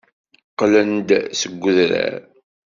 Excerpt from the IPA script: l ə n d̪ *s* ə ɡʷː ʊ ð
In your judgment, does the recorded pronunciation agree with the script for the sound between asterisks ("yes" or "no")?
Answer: yes